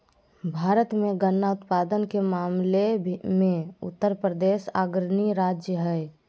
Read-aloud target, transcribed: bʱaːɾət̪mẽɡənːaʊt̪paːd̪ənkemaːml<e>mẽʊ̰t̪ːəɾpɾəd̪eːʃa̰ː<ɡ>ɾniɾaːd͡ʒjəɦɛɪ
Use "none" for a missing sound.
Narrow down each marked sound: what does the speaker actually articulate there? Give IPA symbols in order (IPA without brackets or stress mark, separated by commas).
e, ɡ